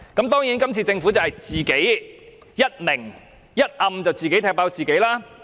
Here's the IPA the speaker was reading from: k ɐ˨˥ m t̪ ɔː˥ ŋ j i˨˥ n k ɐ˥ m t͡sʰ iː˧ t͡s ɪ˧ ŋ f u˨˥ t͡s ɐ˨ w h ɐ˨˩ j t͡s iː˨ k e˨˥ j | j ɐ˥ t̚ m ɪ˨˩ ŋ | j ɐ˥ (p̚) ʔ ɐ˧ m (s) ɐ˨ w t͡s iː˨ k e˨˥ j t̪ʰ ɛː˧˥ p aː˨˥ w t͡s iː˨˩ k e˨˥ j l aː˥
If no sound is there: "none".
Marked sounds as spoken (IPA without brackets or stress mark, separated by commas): t̚, t͡s